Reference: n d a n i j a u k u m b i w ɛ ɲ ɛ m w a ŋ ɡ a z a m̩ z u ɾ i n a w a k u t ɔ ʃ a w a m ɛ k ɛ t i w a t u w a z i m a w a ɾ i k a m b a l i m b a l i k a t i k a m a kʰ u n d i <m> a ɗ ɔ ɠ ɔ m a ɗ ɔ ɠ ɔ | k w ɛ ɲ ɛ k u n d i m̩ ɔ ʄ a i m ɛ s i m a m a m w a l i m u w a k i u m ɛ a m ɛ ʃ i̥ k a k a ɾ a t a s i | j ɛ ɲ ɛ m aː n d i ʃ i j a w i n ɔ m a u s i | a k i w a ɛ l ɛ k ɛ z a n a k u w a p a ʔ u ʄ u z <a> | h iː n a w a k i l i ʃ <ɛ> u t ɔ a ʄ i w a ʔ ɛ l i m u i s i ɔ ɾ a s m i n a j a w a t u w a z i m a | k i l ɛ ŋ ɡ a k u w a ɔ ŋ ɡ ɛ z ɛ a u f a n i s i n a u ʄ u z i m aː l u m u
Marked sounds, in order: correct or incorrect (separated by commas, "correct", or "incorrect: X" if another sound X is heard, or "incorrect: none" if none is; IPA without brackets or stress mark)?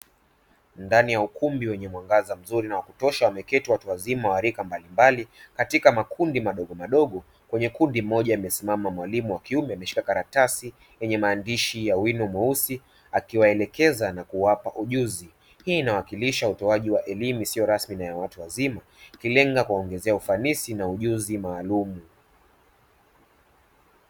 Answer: correct, incorrect: i, incorrect: a